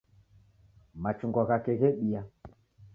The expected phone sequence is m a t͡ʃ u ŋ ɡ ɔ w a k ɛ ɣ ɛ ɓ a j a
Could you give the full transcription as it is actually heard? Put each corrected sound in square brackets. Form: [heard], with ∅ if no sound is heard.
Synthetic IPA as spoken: m a t͡ʃ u ŋ ɡ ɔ [ɣ] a k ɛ ɣ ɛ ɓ [i] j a